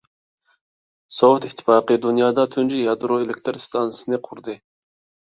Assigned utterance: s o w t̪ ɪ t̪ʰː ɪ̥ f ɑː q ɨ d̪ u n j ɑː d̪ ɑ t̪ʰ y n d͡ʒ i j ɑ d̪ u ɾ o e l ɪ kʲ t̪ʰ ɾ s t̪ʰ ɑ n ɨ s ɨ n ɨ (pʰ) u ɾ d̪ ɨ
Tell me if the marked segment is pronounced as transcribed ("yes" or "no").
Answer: no